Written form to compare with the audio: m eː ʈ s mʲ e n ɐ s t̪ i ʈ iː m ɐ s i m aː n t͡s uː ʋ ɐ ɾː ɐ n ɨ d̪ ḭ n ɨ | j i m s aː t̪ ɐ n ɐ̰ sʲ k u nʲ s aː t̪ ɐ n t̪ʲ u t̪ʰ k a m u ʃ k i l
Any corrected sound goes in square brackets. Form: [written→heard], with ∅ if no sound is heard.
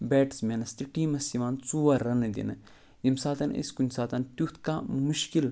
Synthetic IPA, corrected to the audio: [m→b] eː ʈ s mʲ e n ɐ s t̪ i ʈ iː m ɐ s i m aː n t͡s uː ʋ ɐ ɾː ɐ n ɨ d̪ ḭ n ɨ | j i m s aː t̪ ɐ n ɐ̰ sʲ k u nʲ s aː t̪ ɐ n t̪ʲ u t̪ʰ k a m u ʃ k i l